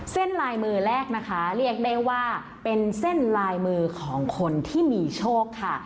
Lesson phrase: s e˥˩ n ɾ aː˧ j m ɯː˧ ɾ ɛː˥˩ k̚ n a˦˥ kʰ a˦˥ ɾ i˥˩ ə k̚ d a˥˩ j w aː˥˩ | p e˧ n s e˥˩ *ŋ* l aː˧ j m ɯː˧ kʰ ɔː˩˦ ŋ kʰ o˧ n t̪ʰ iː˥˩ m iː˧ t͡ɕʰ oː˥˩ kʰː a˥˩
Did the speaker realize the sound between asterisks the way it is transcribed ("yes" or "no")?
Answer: no